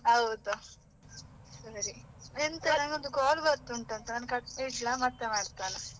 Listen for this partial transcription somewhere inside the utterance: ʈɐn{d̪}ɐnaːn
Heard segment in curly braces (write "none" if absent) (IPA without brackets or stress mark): t̪